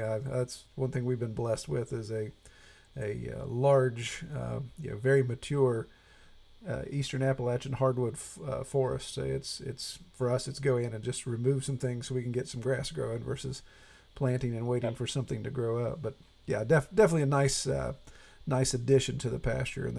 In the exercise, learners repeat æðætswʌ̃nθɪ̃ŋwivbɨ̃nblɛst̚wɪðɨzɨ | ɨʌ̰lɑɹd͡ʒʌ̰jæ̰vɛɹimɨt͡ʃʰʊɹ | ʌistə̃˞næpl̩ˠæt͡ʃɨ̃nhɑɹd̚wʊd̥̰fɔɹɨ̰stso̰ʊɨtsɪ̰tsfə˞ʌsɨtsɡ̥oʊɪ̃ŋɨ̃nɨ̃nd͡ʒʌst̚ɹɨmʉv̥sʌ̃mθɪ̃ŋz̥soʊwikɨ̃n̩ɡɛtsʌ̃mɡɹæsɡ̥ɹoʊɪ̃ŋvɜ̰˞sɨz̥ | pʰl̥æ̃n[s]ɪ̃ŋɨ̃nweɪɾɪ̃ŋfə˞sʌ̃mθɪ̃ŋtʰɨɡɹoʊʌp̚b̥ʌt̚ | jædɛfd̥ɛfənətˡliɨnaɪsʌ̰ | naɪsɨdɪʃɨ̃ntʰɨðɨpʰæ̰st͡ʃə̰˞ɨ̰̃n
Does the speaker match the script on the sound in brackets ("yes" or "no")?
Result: no